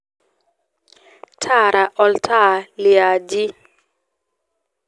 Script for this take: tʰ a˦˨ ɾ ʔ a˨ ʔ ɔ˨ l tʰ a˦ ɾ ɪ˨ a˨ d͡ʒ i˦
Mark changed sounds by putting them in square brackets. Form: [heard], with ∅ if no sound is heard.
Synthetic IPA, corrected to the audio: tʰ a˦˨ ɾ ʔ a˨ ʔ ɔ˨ l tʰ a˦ [l] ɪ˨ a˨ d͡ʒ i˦